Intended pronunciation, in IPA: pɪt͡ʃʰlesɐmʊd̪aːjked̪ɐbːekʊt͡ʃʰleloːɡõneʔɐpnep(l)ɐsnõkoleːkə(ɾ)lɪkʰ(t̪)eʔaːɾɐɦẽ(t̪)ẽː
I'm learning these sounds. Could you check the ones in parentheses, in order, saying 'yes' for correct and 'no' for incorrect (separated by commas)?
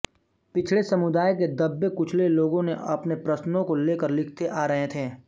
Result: no, yes, yes, no